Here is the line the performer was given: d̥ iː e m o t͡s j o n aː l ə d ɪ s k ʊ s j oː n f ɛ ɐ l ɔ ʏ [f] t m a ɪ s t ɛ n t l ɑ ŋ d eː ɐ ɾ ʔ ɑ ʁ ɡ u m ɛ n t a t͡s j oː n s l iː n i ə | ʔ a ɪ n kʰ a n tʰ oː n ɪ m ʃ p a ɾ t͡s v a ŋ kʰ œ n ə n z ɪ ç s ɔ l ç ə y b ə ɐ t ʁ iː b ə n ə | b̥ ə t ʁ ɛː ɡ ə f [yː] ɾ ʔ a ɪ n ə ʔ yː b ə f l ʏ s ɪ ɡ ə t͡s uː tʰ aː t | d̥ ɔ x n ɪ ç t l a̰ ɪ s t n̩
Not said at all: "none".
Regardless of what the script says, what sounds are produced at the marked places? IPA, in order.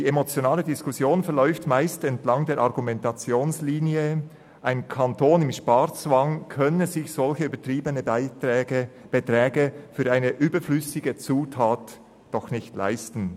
f, yː

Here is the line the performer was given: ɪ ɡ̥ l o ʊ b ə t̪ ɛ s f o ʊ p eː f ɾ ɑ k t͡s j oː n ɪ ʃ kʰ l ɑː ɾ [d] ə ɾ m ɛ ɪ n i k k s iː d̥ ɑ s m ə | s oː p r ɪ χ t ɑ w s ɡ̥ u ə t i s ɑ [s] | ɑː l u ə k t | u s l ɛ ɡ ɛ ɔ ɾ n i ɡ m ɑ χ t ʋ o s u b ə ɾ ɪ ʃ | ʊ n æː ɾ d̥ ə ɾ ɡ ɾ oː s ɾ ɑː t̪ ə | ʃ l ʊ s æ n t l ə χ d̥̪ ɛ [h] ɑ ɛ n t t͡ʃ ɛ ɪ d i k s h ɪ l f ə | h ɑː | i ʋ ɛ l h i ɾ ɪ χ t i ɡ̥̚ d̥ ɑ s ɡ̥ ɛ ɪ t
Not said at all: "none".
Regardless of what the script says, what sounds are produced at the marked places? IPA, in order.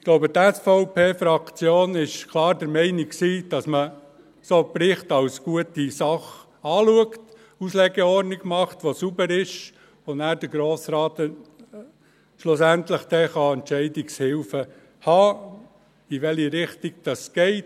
d, χ, χ

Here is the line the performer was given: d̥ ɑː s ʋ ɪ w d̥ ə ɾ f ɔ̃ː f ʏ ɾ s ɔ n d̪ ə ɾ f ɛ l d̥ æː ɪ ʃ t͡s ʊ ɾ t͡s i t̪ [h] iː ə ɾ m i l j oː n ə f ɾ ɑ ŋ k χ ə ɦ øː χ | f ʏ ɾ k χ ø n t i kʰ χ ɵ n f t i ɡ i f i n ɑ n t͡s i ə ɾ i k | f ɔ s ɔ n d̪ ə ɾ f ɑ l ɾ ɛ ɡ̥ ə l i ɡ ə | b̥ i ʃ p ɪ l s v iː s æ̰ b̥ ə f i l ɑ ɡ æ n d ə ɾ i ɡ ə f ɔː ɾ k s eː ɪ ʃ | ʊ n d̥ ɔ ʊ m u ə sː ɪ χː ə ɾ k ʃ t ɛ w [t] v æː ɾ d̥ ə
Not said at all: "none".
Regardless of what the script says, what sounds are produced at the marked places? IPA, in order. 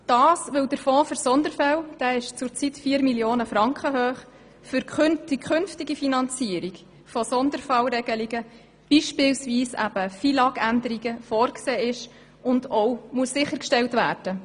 f, t

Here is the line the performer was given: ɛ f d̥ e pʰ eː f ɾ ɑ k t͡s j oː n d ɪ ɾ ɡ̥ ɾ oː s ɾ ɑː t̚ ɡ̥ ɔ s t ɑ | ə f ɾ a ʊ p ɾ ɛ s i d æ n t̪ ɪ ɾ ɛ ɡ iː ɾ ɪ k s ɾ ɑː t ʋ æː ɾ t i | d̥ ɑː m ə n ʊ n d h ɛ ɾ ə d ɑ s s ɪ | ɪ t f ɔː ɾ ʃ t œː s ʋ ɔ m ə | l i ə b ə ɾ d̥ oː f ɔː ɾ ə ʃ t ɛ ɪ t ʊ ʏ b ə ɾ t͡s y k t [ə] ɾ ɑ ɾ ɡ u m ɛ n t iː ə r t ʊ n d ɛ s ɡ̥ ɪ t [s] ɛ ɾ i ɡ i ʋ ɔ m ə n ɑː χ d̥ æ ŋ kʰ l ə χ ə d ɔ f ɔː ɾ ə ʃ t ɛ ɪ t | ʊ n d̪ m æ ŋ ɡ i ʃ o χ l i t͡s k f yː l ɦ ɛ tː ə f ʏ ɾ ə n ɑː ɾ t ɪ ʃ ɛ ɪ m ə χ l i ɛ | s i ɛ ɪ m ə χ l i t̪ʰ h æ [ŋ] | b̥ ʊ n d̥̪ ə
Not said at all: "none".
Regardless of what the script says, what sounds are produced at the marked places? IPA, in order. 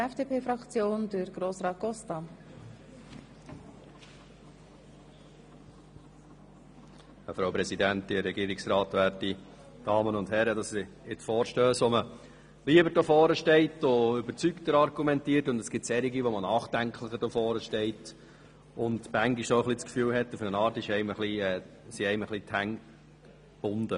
ə, s, ŋ

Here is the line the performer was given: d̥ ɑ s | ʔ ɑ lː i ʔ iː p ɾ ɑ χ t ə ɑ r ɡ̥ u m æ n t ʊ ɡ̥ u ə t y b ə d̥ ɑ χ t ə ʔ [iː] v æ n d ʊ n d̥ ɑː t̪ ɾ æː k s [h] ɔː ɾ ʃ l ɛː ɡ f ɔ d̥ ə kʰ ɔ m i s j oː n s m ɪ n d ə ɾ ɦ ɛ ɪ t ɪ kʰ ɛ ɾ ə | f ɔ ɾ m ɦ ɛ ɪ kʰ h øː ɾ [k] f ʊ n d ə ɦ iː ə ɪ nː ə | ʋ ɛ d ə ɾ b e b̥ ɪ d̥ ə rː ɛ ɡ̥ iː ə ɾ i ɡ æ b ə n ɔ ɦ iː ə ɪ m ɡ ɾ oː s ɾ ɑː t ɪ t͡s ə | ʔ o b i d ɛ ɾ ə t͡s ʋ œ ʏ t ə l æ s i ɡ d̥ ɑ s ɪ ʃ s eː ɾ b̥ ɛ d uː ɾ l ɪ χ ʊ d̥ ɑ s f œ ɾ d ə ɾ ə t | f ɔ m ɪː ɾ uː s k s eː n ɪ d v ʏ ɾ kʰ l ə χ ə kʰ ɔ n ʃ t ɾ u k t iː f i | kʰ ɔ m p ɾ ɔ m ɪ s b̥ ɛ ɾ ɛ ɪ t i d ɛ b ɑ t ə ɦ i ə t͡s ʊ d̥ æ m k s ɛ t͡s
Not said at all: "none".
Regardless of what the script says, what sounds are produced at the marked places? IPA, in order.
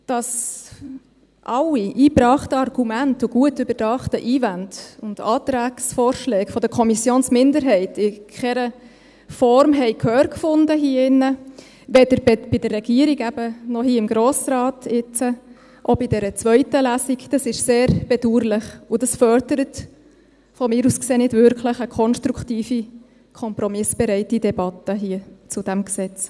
iː, f, k

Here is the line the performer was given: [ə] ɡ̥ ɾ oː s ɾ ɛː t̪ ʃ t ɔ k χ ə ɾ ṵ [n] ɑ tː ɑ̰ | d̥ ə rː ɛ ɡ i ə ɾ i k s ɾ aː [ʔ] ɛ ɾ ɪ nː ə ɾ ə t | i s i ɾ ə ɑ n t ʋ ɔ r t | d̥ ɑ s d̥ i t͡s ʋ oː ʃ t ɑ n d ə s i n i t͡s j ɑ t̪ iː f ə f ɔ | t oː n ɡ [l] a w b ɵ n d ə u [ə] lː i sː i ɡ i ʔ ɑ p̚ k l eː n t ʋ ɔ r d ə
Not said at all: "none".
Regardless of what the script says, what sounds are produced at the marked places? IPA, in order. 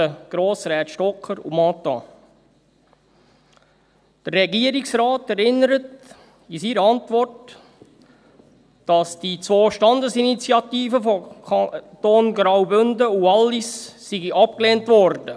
ə, m, t, ɾ, ɑ

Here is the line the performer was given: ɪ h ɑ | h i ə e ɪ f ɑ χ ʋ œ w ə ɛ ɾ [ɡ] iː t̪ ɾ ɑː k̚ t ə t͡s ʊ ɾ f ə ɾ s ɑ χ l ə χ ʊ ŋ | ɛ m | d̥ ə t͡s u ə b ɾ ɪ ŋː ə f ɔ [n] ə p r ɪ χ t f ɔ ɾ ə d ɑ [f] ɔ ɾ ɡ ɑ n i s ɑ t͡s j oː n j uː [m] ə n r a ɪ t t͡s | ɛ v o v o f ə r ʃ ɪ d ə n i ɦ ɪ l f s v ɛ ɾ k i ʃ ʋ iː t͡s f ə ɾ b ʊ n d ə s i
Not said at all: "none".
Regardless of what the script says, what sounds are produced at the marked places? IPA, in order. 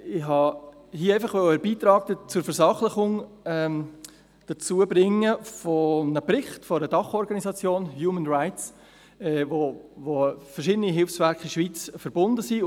b, n, χ, m

